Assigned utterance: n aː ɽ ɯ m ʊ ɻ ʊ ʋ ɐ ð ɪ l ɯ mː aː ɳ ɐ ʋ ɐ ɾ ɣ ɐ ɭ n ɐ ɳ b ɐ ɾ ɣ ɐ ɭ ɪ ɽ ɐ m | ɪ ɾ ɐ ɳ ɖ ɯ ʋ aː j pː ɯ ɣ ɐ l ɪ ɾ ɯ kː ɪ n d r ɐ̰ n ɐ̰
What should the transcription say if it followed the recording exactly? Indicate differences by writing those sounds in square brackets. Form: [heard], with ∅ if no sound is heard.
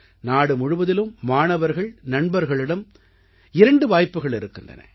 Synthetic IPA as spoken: n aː ɽ ɯ m ʊ ɻ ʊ ʋ ɐ ð ɪ l ɯ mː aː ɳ ɐ ʋ ɐ ɾ ɣ ɐ ɭ n ɐ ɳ b ɐ ɾ ɣ ɐ ɭ ɪ ɽ ɐ m | ɪ ɾ ɐ ɳ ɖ ɯ ʋ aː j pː ɯ ɣ ɐ [ɭ] ɪ ɾ ɯ kː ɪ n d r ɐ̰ n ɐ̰